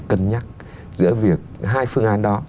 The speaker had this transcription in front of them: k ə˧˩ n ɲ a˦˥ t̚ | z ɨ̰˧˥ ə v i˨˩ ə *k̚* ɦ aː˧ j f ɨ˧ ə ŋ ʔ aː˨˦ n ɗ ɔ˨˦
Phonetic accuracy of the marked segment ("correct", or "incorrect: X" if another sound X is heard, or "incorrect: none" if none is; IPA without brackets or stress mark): correct